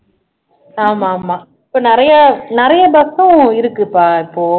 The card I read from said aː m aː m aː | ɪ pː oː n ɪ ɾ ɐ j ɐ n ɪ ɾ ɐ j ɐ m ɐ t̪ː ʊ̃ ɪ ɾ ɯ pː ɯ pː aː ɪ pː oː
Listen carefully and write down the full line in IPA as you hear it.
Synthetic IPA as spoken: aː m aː m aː | ɪ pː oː n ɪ ɾ ɐ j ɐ n ɪ ɾ ɐ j ɐ b ɐ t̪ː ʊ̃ ɪ ɾ ɯ kː ɯ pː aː ɪ pː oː